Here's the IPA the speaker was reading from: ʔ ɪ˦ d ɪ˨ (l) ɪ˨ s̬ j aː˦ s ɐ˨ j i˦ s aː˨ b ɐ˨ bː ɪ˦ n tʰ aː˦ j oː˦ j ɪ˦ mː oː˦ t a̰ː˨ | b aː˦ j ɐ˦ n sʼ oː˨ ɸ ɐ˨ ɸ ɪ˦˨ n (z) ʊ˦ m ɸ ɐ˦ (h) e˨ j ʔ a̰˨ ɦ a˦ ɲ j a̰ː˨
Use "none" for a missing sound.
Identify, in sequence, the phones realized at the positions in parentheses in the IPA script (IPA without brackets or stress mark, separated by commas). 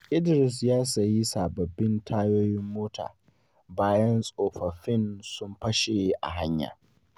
ɾ, s, ʃ